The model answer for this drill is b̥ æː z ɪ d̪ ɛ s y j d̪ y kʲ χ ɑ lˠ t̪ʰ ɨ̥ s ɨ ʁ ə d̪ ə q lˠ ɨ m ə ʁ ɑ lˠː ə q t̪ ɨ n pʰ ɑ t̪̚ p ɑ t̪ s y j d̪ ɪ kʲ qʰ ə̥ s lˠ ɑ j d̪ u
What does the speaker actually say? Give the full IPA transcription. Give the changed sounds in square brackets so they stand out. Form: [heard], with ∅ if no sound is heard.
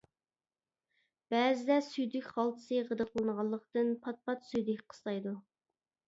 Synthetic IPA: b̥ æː z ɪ d̪ ɛ s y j d̪ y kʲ χ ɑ lˠ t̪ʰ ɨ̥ s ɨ ʁ ə d̪ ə q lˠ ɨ [n] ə ʁ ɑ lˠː ə q t̪ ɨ n pʰ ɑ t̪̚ p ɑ t̪ s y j d̪ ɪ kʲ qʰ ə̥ s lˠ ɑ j d̪ u